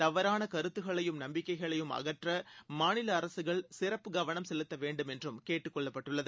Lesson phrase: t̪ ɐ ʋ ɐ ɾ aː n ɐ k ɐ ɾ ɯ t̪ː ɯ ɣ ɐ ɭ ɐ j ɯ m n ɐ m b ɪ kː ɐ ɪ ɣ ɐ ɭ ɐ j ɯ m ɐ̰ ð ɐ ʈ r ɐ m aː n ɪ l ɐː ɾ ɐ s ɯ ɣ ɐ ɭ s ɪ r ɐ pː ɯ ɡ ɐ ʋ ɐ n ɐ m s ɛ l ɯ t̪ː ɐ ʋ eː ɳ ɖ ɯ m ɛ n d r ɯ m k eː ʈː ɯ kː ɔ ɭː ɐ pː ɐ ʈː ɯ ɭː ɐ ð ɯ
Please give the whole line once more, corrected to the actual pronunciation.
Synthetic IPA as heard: t̪ ɐ ʋ ɐ ɾ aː n ɐ k ɐ ɾ ɯ t̪ː ɯ ɣ ɐ ɭ ɐ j ɯ m n ɐ m b ɪ kː ɐ ɪ ɣ ɐ ɭ ɐ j ɯ m ɐ̰ ɣ ɐ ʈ r ɐ m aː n ɪ l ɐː ɾ ɐ s ɯ ɣ ɐ ɭ s ɪ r ɐ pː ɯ ɡ ɐ ʋ ɐ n ɐ m s ɛ l ɯ t̪ː ɐ ʋ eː ɳ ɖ ɯ m ɛ n d r ɯ m k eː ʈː ɯ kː ɔ ɭː ɐ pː ɐ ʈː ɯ ɭː ɐ ð ɯ